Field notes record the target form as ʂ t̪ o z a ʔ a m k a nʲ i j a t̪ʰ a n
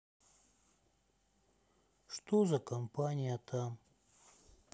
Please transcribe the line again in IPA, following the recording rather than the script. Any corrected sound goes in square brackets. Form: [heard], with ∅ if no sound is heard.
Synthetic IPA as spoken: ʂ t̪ o z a [k] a m [p] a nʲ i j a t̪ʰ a [m]